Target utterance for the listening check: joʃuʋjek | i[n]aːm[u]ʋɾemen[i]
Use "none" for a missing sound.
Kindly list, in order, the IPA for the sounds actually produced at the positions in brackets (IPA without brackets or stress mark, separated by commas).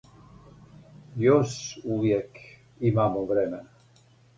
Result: m, o, a